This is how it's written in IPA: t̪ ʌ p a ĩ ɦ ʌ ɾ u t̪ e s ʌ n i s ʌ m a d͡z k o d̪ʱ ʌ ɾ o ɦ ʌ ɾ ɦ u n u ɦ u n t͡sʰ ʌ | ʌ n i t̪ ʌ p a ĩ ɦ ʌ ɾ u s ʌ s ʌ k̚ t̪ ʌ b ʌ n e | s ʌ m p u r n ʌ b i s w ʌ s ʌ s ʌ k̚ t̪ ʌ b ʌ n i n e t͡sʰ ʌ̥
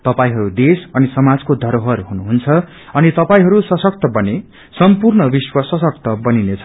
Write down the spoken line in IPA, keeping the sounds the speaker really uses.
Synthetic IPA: t̪ ʌ p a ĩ ɦ ʌ ɾ u d̪ e s ʌ n i s ʌ m a d͡z k o d̪ʱ ʌ ɾ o ɦ ʌ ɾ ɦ u n u ɦ u n t͡sʰ ʌ | ʌ n i t̪ ʌ p a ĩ ɦ ʌ ɾ u s ʌ s ʌ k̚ t̪ ʌ b ʌ n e | s ʌ m p u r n ʌ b i s w ʌ s ʌ s ʌ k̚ t̪ ʌ b ʌ n i n e t͡sʰ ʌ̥